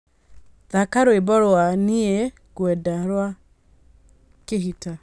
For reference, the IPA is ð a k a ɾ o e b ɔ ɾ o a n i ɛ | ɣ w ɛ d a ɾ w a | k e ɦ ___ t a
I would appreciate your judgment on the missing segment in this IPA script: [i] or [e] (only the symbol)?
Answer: i